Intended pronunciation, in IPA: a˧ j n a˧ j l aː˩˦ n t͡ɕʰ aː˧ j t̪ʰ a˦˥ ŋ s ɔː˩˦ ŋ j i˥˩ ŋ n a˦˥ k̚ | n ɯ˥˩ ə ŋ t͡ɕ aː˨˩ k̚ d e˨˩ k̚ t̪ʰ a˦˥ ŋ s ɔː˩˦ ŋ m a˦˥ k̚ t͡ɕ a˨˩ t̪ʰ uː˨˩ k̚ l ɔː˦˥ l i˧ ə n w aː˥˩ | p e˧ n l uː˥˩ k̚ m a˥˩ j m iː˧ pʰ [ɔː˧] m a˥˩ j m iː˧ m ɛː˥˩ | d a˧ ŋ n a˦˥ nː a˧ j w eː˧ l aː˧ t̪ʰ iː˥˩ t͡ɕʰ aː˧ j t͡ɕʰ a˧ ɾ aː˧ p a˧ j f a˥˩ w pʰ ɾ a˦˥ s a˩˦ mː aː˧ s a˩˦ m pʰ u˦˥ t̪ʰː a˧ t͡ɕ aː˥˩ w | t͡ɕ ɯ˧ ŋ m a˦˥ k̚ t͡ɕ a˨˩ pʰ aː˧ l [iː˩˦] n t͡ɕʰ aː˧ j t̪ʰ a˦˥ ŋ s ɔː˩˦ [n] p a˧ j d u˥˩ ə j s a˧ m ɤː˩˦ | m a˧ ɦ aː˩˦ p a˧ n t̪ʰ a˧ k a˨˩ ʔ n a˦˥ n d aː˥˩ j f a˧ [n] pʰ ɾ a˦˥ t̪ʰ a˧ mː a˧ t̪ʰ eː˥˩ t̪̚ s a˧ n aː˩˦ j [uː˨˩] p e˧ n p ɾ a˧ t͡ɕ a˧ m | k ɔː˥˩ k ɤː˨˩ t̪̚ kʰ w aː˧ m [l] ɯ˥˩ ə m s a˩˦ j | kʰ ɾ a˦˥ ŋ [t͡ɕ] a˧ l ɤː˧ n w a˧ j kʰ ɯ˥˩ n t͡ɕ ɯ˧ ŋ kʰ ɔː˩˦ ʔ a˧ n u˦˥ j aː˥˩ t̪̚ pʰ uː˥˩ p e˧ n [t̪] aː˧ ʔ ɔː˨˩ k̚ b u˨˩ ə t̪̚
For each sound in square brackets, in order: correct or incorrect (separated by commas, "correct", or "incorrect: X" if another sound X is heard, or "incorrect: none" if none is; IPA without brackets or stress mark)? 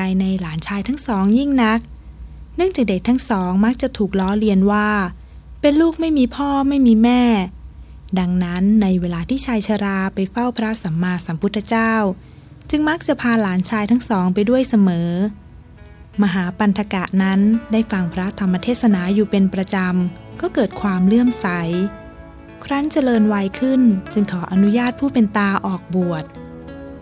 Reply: incorrect: ɔː˥˩, incorrect: aː˩˦, incorrect: ŋ, incorrect: ŋ, correct, correct, correct, correct